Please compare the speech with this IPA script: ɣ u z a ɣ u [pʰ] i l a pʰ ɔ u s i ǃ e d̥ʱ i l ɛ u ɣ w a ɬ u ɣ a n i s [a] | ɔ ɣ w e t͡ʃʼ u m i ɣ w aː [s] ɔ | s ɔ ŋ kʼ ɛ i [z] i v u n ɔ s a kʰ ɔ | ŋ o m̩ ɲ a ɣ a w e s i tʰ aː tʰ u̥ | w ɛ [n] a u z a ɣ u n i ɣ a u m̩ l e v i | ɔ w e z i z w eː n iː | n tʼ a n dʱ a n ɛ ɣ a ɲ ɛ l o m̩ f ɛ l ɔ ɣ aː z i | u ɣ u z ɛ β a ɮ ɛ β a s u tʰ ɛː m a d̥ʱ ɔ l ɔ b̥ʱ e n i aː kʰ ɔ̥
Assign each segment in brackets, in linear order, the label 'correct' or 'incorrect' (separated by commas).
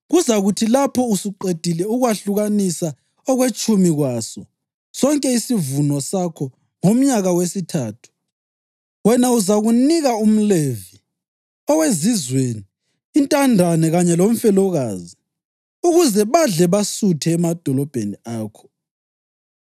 incorrect, correct, correct, incorrect, correct